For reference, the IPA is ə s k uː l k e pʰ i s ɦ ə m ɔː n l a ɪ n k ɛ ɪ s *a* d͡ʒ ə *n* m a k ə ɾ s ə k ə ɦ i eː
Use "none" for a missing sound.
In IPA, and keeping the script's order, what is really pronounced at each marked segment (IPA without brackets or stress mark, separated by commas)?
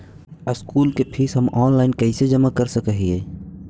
e, none